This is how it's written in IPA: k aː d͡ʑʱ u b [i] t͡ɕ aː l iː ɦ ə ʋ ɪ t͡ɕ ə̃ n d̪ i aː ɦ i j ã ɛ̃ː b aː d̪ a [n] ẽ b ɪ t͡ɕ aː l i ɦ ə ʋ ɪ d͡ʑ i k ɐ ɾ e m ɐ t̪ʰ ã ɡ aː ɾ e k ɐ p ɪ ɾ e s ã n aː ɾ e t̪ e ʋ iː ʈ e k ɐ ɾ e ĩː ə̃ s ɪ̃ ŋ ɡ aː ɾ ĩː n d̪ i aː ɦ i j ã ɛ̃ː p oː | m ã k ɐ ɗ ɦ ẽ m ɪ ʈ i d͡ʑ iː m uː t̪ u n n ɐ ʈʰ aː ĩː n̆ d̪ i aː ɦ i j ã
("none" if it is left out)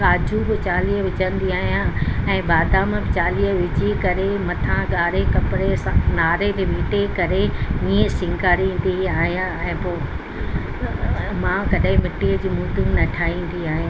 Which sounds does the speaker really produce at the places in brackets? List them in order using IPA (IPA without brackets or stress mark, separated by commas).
ɪ, m